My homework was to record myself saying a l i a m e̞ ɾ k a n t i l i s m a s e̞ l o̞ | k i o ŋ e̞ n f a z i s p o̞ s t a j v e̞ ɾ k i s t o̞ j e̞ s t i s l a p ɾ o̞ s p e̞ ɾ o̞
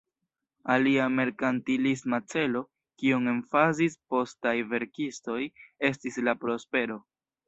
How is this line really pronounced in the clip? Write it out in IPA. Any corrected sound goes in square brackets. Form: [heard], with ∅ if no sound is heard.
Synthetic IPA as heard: a l i a m e̞ ɾ k a n t i l i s m a [t͡s] e̞ l o̞ | k i o ŋ e̞ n f a z i s p o̞ s t a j v e̞ ɾ k i s t o̞ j e̞ s t i s l a p ɾ o̞ s p e̞ ɾ o̞